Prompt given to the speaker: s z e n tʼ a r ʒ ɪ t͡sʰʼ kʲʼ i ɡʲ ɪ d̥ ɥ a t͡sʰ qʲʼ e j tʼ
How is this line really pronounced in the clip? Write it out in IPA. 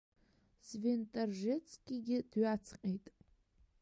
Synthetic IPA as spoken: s v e n tʼ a r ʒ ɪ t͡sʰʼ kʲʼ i ɡʲ ɪ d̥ ɥ a t͡sʰ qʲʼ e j tʼ